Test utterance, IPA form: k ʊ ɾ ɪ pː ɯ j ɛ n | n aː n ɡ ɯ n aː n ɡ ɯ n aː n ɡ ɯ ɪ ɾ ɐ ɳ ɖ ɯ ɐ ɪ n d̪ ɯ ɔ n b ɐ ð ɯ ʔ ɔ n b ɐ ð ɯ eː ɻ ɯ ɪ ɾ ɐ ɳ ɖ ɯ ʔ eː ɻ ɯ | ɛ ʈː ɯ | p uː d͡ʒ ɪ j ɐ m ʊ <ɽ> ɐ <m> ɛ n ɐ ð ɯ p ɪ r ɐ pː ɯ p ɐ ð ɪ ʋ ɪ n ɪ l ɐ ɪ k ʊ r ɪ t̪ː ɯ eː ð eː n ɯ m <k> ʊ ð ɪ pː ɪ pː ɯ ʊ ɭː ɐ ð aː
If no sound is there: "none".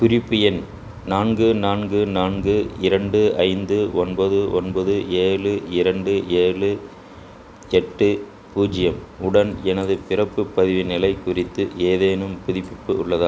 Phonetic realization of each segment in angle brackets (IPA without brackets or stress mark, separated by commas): ɽ, n, p